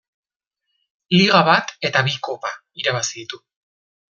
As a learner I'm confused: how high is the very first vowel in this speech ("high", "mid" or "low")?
high